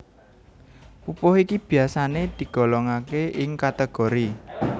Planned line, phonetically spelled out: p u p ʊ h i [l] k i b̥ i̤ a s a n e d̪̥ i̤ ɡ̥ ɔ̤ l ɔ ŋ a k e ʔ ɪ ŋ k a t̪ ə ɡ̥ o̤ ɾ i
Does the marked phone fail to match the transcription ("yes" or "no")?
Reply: yes